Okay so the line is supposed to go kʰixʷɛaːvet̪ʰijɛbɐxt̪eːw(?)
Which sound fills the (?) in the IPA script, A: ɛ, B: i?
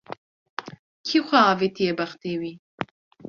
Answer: B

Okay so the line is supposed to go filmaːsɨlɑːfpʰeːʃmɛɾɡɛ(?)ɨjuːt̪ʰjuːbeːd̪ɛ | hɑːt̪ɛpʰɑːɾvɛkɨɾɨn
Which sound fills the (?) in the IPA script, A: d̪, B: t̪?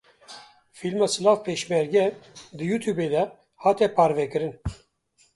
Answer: A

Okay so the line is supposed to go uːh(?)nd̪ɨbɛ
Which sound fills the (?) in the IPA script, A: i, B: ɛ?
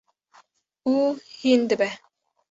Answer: A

